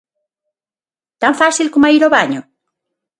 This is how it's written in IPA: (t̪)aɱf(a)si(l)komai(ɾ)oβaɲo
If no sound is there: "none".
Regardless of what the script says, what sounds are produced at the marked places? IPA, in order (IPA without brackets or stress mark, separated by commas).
t̪, a, l, ɾ